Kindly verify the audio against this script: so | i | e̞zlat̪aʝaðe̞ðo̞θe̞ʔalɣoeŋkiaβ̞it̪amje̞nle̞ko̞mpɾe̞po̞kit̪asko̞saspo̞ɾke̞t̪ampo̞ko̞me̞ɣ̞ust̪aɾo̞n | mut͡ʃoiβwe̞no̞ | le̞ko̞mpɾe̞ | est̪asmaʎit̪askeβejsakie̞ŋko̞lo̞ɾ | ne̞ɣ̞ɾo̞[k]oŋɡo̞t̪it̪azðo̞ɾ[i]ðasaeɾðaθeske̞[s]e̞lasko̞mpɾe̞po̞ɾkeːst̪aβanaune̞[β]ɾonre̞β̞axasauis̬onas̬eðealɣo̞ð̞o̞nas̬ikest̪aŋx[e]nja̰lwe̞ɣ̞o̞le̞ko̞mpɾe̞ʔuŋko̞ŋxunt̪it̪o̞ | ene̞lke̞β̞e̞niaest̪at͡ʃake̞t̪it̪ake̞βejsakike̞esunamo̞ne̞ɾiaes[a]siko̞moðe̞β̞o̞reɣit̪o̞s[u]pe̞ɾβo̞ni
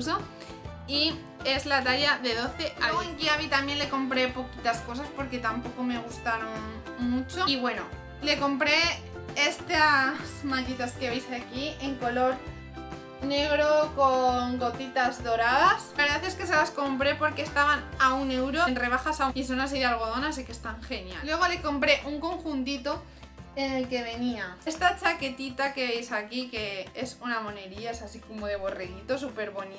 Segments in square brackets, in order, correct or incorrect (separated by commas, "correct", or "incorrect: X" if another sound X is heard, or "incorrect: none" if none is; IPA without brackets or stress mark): correct, incorrect: a, correct, incorrect: w, correct, correct, correct